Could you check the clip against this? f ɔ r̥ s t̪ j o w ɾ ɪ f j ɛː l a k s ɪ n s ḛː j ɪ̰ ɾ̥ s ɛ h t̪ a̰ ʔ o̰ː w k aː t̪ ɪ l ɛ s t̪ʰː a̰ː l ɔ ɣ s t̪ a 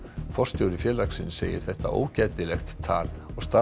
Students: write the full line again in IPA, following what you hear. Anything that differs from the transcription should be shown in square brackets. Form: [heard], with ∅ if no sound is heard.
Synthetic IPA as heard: f ɔ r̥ s t̪ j o w ɾ ɪ f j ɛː l a k s ɪ n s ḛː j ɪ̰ ɾ̥ [θ] ɛ h t̪ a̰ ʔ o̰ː w [c] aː t̪ ɪ l ɛ [x] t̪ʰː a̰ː l ɔ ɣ s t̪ a